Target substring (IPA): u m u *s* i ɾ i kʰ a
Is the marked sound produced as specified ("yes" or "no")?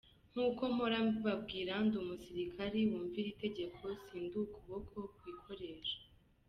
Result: yes